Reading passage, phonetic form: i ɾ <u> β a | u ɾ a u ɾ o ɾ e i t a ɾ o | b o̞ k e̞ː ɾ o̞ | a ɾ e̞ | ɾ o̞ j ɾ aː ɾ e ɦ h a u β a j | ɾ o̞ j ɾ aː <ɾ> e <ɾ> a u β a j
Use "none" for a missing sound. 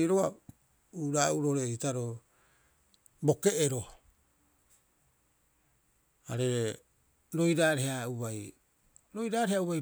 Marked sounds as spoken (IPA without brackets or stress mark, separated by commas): o, ɾ, none